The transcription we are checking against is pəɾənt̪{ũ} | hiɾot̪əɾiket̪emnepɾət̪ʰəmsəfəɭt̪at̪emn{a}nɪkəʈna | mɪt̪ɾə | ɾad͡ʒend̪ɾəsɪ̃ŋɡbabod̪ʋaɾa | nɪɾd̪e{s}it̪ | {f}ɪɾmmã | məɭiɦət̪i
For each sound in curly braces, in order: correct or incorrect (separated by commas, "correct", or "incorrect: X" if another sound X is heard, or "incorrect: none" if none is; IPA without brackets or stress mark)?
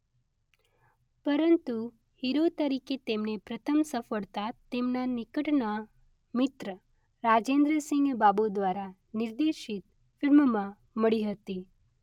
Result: incorrect: u, correct, incorrect: ʃ, correct